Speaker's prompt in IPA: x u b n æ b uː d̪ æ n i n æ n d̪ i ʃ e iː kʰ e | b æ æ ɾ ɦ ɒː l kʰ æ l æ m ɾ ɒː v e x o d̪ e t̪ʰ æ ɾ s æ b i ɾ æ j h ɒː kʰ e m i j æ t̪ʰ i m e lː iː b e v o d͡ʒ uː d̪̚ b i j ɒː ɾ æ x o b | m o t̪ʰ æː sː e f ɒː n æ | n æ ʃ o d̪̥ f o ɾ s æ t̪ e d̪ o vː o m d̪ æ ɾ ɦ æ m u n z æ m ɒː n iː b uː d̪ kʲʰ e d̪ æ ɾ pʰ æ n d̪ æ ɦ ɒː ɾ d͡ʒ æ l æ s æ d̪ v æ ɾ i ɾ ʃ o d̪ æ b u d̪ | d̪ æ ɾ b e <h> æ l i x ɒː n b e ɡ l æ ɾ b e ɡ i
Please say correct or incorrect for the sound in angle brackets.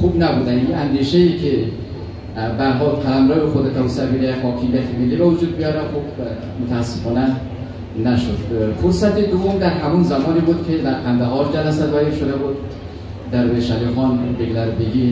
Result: incorrect